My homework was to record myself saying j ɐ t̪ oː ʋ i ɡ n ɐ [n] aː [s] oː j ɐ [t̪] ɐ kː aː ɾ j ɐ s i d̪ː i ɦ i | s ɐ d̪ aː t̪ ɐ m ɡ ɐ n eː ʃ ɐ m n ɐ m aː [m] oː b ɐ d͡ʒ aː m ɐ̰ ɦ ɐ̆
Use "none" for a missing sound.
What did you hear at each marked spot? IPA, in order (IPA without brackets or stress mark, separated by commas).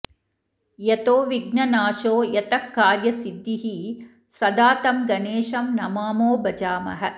n, ʃ, t̪, m